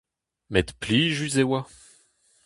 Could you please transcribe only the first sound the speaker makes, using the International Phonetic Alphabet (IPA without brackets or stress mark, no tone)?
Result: m